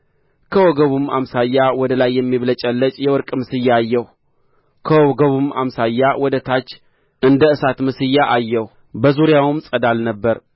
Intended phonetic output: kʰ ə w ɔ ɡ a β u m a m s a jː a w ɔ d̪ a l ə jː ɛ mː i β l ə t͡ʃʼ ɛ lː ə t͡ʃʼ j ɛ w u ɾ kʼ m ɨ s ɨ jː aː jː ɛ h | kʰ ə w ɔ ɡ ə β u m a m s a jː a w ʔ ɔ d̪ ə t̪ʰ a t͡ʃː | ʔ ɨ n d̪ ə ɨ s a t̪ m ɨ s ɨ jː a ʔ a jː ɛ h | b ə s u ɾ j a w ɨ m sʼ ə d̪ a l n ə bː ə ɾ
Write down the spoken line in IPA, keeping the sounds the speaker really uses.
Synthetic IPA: kʰ ə w ɔ ɡ ə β u m a m s a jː a w ɔ d̪ ə l a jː ɛ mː i β l ə t͡ʃʼ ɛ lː ə t͡ʃʼ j ɛ w ɔ ɾ kʼ m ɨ s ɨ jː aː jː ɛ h | kʰ ə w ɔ ɡ ə β u m a m s a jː a w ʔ ɔ d̪ ə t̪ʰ a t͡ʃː | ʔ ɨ n d̪ ə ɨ s a t̪ m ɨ s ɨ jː a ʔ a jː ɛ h | b ə z u ɾ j a w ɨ m sʼ ə d̪ a l n ə bː ə ɾ